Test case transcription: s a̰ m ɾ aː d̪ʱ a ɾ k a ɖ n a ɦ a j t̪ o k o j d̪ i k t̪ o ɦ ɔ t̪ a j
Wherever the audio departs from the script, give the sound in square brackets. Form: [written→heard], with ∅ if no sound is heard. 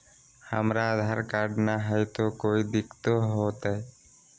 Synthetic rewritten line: [s→h] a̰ m ɾ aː d̪ʱ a ɾ k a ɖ n a ɦ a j t̪ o k o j d̪ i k t̪ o ɦ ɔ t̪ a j